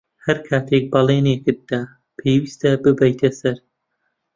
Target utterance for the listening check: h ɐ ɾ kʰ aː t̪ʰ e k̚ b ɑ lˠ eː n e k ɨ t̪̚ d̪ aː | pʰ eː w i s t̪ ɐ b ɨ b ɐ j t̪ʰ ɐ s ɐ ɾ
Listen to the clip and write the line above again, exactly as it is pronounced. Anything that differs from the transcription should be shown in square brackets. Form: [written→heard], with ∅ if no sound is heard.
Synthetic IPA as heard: h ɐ ɾ kʰ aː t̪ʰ e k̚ b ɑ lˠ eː n e k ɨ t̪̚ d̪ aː | pʰ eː w i s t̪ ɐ b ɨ b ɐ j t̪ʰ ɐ s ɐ ɾ